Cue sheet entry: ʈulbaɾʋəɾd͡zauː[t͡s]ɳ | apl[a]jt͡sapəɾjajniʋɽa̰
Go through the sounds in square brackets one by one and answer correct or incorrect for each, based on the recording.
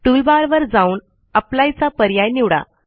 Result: incorrect: none, correct

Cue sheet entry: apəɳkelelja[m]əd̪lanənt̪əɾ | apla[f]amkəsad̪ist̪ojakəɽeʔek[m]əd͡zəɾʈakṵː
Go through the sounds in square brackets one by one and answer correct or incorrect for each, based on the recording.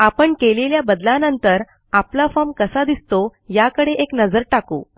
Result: incorrect: b, correct, incorrect: n

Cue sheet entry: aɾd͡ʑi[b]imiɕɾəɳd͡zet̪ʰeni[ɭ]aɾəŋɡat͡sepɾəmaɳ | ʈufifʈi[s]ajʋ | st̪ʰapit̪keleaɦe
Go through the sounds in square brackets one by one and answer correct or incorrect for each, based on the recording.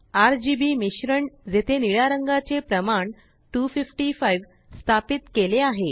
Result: correct, correct, incorrect: f

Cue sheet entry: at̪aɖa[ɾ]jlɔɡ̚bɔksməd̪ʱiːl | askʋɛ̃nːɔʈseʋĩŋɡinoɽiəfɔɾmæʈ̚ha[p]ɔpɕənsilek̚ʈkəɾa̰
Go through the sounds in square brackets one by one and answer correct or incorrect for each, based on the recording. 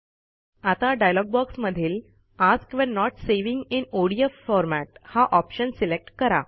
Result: incorrect: none, incorrect: ʔ

